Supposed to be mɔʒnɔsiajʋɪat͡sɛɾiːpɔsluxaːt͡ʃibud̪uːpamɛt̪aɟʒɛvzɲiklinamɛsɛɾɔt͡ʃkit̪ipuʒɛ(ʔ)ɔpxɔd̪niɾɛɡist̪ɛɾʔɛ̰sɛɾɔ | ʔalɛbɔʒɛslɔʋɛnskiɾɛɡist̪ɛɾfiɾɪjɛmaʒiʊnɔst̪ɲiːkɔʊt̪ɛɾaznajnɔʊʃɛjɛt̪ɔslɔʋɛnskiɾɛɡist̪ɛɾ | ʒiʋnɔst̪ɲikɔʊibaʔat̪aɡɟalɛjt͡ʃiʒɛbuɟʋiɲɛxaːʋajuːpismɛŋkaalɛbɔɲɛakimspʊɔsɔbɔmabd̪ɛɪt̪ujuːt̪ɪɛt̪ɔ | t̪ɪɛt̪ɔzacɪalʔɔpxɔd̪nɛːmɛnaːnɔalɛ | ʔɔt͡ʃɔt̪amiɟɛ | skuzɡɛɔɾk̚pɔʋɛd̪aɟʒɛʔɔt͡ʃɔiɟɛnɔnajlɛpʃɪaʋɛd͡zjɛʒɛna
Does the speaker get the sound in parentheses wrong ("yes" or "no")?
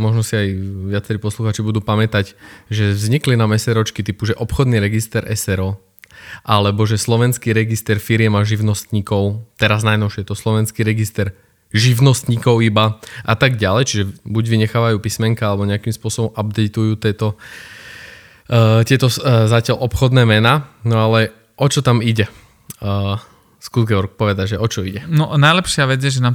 no